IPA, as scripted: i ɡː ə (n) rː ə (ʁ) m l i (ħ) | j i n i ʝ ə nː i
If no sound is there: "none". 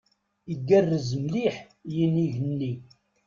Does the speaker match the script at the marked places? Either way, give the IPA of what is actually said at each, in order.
none, z, ħ

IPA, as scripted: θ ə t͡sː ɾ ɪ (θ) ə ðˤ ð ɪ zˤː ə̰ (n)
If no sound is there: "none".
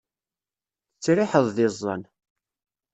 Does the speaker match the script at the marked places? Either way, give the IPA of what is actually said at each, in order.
ħ, n

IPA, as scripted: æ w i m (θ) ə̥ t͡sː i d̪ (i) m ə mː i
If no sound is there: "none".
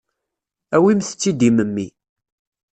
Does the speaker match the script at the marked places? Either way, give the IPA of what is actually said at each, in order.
θ, i

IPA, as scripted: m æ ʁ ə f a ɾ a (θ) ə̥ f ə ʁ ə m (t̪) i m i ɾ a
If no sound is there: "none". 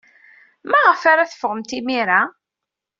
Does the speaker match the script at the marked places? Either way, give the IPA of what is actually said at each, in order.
θ, t̪

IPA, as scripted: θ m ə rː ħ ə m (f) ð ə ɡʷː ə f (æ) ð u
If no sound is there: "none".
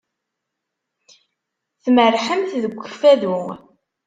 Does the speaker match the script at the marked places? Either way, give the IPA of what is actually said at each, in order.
θ, æ

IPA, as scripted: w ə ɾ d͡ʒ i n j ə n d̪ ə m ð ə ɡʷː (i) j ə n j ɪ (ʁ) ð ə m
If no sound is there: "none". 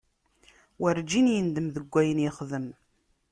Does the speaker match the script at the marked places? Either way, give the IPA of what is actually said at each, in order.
æ, χ

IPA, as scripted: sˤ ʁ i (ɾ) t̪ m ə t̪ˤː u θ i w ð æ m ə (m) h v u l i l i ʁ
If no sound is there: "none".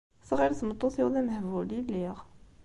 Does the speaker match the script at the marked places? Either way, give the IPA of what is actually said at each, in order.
ɾ, none

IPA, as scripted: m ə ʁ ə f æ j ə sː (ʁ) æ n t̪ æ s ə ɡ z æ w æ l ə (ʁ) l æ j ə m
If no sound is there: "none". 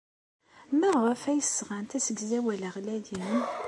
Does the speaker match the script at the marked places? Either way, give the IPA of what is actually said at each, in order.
ʁ, ʁ

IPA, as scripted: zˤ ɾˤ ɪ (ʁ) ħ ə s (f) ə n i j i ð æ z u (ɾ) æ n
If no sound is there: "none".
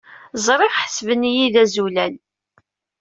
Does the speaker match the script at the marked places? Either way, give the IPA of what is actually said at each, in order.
ʁ, v, l

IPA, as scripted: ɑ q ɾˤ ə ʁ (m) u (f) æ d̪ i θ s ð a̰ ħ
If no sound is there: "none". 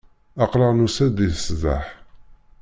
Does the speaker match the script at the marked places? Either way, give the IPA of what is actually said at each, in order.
n, s

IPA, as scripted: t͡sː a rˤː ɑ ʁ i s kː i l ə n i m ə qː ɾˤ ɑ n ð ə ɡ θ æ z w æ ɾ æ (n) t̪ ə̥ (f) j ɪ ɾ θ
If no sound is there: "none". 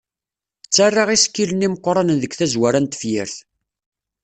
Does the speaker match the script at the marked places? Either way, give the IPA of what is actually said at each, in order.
n, f

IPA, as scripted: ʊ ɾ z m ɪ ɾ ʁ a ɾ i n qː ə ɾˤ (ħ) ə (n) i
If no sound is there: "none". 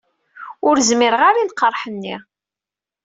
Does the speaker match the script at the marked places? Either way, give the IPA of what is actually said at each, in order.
ħ, nː

